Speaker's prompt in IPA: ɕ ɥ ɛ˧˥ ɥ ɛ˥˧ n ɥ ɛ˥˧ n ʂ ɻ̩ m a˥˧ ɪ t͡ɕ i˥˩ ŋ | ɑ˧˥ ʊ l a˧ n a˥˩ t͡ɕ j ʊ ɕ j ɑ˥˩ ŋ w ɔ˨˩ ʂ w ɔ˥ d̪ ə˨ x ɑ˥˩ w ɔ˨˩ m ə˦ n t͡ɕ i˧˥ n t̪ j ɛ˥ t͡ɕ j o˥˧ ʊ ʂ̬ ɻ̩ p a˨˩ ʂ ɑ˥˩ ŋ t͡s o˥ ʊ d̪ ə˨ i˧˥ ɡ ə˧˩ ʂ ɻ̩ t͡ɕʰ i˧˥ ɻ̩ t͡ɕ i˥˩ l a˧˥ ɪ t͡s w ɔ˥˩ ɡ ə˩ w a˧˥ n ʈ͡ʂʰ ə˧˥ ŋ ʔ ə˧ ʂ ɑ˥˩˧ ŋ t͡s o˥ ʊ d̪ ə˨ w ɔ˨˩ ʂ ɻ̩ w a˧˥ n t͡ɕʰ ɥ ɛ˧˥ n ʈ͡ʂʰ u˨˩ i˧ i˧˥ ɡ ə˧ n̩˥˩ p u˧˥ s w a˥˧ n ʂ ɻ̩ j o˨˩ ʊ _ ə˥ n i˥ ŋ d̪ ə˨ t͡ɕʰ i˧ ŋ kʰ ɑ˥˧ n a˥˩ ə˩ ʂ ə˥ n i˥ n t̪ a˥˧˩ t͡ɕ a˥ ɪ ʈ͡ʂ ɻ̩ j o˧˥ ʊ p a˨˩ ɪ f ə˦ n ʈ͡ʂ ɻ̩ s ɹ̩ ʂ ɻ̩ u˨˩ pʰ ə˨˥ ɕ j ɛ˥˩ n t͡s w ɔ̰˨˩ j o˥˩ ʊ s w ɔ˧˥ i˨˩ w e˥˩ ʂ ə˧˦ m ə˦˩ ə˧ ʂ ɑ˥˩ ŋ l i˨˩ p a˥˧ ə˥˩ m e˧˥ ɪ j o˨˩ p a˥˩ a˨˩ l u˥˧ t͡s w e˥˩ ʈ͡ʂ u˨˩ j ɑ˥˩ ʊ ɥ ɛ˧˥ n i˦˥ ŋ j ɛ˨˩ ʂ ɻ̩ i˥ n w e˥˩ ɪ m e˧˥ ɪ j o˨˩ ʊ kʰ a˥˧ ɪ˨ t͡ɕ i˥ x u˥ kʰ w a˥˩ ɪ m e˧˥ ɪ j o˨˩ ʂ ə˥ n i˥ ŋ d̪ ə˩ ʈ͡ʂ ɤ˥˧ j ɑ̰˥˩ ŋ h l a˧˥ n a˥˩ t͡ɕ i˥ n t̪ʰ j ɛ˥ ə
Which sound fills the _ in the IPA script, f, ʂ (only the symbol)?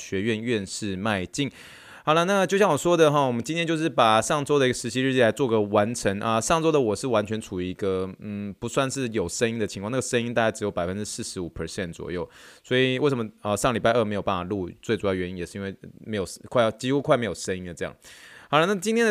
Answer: ʂ